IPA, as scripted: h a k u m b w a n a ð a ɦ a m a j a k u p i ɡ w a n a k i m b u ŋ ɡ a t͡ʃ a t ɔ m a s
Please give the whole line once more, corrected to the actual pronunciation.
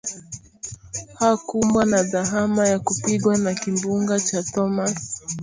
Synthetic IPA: h a k u m b w a n a ð a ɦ a m a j a k u p i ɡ w a n a k i m b u ŋ ɡ a t͡ʃ a t ɔ m a s